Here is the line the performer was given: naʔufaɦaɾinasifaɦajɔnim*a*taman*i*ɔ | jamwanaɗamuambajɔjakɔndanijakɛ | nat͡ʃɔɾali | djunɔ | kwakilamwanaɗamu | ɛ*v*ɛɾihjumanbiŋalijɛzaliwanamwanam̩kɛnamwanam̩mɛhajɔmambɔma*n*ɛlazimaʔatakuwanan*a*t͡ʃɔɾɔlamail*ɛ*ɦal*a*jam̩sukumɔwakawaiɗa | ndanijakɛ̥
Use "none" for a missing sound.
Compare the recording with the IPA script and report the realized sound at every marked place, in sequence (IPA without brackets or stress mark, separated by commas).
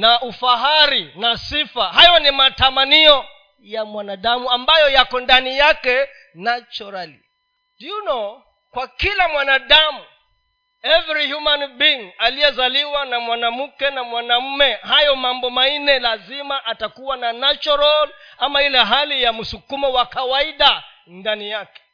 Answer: a, i, v, n, a, ɛ, i